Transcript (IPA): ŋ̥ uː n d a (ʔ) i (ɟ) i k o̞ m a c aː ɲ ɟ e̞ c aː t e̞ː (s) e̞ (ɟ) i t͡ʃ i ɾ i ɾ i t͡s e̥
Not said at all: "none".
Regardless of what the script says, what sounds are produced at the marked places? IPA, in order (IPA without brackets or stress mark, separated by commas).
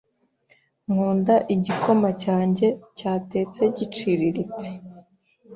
ʔ, ɟ, t͡s, ɟ